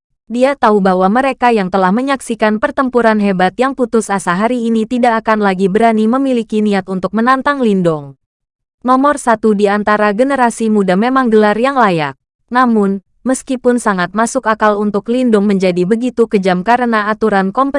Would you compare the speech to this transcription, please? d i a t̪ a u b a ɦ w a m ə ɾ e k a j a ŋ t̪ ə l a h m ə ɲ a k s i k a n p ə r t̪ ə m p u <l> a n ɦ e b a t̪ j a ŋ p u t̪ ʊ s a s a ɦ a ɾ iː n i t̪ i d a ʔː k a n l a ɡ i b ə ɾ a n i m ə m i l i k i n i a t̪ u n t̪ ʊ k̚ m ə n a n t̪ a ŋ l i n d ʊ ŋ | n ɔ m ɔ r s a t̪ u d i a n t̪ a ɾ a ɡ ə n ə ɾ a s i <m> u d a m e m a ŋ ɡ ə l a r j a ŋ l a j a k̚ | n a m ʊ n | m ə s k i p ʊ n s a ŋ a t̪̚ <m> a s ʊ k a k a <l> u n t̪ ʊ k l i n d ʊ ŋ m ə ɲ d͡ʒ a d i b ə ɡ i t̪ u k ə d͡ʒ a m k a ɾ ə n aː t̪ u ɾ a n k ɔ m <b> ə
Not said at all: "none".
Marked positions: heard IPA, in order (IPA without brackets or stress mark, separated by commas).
ɾ, m, m, l, p